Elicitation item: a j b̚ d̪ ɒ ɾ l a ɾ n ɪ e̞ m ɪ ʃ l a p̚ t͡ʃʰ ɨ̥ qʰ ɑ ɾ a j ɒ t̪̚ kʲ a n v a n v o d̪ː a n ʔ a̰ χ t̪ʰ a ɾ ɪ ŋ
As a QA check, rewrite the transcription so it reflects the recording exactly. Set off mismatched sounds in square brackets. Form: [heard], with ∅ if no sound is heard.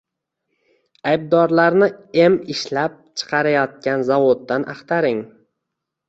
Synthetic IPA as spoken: a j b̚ d̪ ɒ ɾ l a ɾ n ɪ e̞ m ɪ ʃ l a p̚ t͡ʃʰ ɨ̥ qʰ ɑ ɾ a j ɒ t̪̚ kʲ a n [z] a [∅] v o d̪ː a n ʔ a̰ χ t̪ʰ a ɾ ɪ ŋ